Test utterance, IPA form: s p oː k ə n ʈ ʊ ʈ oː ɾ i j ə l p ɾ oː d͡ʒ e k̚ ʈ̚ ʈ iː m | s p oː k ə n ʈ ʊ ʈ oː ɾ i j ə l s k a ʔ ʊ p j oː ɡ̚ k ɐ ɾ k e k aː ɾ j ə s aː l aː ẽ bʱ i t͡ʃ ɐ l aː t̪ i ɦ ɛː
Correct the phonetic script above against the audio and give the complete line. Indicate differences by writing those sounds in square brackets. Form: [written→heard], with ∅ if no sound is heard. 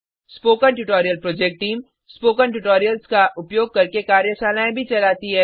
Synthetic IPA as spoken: s p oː k ə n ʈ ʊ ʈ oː ɾ i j ə l p ɾ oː d͡ʒ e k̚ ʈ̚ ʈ iː m | s p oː k ə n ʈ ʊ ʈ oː ɾ i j ə l s k a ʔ ʊ p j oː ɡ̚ k ɐ ɾ k e k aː ɾ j ə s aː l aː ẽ bʱ i t͡ʃ ɐ l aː t̪ i ɦ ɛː